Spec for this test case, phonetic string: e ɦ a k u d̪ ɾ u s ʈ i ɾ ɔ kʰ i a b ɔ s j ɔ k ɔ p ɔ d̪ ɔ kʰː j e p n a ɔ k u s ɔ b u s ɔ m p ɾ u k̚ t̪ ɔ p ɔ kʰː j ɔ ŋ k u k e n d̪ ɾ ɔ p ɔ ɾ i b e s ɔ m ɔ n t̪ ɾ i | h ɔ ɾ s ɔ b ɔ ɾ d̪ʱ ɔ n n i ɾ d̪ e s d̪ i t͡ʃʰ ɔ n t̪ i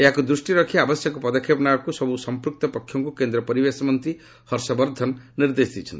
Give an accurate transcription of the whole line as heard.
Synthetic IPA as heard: e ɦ a k u d̪ ɾ u s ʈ i ɾ ɔ kʰ i a b ɔ s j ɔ k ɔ p ɔ d̪ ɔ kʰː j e p n a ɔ k u s ɔ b u s ɔ m p ɾ u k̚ t̪ ɔ p ɔ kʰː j ɔ ŋ k u k e n d̪ ɾ ɔ p ɔ ɾ i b e s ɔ m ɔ n t̪ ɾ i | h ɔ ɾ s ɔ b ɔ ɾ d̪ʱ ɔ n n i ɾ d̪ e s d̪ i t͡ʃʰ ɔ n t̪ i